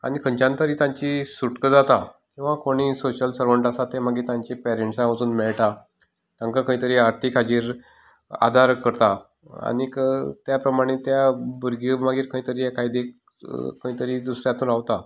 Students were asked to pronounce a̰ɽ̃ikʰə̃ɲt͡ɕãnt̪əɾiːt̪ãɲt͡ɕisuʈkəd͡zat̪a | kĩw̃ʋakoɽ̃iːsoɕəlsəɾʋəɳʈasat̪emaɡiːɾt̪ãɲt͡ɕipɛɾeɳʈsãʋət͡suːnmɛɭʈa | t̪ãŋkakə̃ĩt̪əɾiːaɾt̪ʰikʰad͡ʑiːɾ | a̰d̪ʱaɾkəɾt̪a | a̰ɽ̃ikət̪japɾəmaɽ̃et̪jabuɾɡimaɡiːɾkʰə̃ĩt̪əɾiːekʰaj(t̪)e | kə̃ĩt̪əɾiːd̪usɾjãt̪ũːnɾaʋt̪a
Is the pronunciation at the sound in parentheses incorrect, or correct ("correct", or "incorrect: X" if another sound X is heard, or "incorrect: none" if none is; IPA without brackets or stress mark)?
incorrect: d̪